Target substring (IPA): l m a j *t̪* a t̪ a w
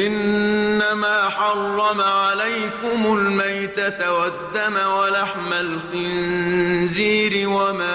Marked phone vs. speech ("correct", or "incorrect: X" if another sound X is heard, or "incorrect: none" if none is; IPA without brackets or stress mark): correct